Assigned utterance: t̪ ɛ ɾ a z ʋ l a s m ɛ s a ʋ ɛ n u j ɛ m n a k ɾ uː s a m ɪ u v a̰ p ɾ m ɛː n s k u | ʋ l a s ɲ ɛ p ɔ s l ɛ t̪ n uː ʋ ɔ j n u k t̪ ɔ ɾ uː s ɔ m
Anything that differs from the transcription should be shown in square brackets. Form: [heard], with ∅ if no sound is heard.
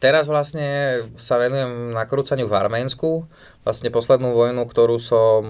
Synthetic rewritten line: t̪ ɛ ɾ a z ʋ l a s [ɲ] ɛ s a ʋ ɛ n u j ɛ m n a k ɾ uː [t͡s] a [ɲ] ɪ u v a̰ [∅] ɾ m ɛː n s k u | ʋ l a s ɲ ɛ p ɔ s l ɛ [d̪] n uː ʋ ɔ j n u k t̪ ɔ ɾ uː s ɔ m